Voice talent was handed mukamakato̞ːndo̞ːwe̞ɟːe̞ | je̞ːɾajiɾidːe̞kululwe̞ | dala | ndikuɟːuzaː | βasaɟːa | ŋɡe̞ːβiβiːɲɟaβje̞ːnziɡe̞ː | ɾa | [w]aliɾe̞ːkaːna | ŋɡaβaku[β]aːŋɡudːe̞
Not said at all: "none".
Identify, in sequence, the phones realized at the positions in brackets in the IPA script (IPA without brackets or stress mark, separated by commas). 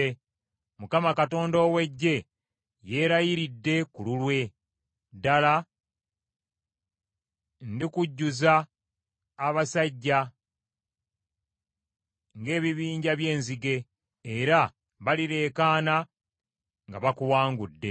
β, w